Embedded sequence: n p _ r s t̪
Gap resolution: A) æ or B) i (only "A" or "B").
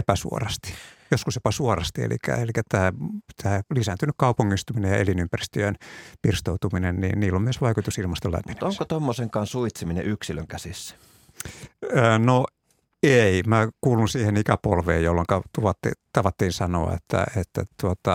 B